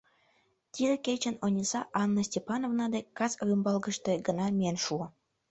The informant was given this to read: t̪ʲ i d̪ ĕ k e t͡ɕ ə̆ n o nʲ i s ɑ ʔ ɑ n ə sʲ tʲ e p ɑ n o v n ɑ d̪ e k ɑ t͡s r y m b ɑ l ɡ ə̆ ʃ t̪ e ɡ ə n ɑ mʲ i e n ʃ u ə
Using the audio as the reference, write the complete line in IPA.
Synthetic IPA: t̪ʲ i d̪ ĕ k e t͡ɕ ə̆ n o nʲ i s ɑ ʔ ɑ nː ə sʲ tʲ e p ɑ n o v n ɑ d̪ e k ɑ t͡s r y m b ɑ l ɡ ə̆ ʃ t̪ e ɡ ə n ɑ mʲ i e n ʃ u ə

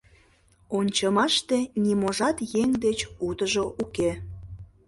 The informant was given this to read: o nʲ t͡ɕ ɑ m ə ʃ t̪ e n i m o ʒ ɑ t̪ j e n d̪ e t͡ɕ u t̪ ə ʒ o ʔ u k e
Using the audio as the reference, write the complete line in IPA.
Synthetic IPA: o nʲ t͡ɕ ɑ m ɑ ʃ t̪ e n i m o ʒ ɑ t̪ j e ŋ d̪ e t͡ɕ u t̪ ə ʒ o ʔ u k e

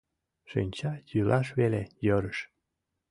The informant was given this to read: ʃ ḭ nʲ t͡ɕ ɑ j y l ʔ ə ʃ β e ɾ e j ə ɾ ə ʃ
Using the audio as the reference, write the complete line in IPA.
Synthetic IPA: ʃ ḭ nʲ t͡ɕ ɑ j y l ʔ ɑ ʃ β e l e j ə ɾ ə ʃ

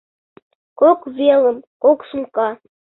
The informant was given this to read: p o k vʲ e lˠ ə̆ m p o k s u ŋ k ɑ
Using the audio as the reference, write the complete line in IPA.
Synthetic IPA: k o k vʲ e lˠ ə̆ m k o k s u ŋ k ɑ

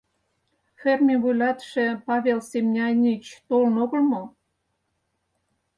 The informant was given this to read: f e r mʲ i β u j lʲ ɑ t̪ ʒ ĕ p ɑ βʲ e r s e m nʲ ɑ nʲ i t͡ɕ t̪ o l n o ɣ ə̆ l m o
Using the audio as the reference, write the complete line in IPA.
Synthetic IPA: f e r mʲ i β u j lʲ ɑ t̪ ʃ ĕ p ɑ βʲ e l s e m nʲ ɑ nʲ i t͡ɕ t̪ o l n o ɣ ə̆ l m o

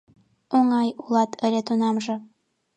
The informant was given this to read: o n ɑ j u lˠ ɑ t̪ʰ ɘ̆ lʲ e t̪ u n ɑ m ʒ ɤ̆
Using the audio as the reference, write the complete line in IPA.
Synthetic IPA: o ŋ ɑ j u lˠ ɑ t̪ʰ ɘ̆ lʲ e t̪ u n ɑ m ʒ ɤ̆

